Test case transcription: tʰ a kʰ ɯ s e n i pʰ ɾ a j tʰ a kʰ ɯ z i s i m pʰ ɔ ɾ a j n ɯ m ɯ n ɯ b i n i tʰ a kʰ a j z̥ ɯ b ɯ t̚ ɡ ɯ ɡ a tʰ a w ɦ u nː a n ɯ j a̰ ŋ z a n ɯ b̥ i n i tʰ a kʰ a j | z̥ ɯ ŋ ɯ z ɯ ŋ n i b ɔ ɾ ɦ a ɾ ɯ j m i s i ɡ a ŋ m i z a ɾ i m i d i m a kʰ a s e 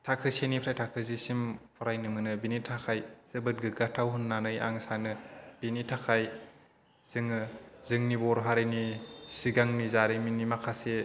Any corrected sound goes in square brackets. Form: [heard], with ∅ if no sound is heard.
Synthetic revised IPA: tʰ a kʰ ɯ s e n i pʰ ɾ a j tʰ a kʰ ɯ z i s i m pʰ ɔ ɾ a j n ɯ m ɯ n ɯ b i n i tʰ a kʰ a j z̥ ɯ b ɯ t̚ ɡ ɯ ɡ a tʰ a w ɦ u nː a n ɯ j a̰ ŋ [s] a n ɯ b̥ i n i tʰ a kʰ a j | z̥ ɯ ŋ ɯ z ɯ ŋ n i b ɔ ɾ ɦ a ɾ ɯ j [n] i s i ɡ a ŋ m i z a ɾ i m i [n] i m a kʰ a s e